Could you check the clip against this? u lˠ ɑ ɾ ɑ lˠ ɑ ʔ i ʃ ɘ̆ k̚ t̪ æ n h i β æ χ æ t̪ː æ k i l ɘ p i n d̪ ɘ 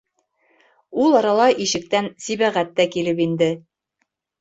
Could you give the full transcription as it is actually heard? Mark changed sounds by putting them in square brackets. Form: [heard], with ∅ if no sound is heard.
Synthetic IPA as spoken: u lˠ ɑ ɾ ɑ lˠ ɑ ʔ i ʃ ɘ̆ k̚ t̪ æ n [s] i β æ [ʁ] æ t̪ː æ k i l ɘ p i n d̪ ɘ